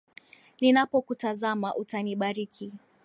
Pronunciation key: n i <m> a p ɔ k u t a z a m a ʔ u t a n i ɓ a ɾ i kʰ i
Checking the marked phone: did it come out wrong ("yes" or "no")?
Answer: yes